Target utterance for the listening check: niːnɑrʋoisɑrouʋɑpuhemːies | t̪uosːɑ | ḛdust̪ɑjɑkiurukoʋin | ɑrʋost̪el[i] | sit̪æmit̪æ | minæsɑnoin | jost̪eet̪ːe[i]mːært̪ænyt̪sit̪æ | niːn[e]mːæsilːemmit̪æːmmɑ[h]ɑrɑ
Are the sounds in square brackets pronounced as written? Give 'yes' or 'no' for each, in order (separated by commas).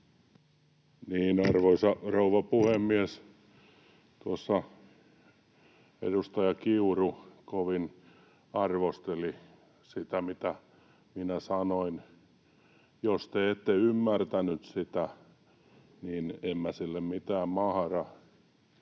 yes, no, yes, yes